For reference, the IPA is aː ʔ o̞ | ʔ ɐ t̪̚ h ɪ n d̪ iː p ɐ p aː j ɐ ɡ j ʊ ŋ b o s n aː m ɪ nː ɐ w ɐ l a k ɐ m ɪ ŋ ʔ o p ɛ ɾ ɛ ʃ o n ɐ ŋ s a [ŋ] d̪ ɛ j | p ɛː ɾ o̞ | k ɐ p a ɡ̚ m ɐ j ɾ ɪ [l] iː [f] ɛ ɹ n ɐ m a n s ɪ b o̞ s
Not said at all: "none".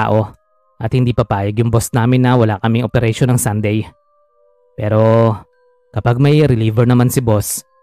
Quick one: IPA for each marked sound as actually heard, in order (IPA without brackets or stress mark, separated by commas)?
n, l, v